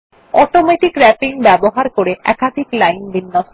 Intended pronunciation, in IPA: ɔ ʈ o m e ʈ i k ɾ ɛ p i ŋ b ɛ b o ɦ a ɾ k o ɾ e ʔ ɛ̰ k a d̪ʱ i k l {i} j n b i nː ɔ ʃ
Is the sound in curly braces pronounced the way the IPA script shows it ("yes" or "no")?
no